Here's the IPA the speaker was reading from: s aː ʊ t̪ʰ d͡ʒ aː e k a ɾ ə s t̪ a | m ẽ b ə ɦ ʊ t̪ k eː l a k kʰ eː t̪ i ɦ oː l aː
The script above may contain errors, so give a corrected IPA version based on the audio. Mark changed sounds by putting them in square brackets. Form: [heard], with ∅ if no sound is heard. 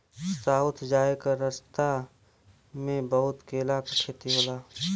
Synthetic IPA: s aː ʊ t̪ʰ d͡ʒ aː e k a ɾ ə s t̪ a | m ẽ b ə ɦ ʊ t̪ k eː l a k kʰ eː t̪ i ɦ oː l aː